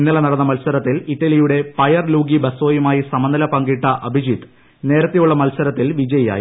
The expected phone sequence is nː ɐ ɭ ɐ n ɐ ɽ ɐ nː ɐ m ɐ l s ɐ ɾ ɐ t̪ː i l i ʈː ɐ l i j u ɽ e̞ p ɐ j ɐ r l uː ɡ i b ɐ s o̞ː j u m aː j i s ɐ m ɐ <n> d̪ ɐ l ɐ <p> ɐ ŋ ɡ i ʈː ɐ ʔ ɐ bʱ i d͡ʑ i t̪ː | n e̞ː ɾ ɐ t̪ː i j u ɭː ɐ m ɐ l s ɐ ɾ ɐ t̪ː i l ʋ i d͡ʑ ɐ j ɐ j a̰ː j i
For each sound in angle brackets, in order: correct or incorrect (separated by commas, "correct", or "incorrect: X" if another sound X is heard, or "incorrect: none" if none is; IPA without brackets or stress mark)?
correct, correct